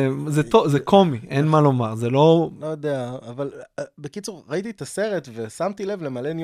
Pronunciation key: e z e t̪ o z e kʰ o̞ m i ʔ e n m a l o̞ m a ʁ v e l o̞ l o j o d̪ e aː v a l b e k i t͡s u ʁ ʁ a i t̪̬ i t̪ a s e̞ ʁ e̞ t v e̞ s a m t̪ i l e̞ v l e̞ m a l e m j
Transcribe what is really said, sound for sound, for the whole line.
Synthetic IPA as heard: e z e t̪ o z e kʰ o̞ m i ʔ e n m a l o̞ m a ʁ z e l o̞ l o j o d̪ e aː v a l b e k i t͡s u ʁ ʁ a i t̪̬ i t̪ a s e̞ ʁ e̞ t v e̞ s a m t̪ i l e̞ v l e̞ m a l e n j